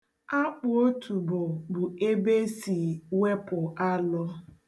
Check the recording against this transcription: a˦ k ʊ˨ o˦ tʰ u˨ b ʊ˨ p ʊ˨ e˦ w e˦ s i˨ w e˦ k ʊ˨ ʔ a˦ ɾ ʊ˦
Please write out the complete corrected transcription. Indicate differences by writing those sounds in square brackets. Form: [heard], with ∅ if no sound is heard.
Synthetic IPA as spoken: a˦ [k͡p] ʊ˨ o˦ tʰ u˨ b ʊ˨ [b] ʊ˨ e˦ [b] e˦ s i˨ w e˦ [p] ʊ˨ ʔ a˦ [l] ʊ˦